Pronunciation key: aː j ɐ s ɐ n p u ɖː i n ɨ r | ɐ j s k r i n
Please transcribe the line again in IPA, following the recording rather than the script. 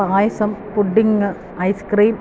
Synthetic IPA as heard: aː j ɐ s ɐ m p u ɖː i ŋ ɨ | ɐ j s k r iː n